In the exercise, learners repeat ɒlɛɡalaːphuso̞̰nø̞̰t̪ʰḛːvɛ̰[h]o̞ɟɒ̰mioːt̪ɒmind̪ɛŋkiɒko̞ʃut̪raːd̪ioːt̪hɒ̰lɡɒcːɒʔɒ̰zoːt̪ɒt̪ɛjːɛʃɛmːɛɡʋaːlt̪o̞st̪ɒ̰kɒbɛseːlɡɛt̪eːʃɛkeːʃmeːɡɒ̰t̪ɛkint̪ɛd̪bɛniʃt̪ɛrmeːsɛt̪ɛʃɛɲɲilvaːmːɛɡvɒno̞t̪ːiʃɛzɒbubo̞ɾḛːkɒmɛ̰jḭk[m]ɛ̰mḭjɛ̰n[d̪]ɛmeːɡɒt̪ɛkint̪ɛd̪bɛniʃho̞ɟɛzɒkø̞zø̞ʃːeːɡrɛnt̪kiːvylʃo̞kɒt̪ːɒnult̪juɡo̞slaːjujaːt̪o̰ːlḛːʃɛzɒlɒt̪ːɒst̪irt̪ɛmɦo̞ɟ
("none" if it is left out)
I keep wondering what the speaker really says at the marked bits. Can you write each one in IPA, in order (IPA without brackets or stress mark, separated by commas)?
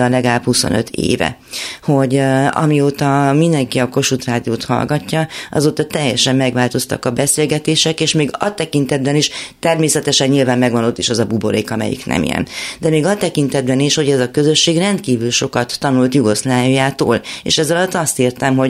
h, n, d̪